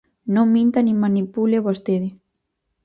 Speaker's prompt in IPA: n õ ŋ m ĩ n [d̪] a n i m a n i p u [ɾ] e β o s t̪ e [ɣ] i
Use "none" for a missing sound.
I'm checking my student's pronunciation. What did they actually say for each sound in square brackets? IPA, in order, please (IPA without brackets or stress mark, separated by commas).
t̪, l, ð